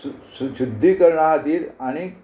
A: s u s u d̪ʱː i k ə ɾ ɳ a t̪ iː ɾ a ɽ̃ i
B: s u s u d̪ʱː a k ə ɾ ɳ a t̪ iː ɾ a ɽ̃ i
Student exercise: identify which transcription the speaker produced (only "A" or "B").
A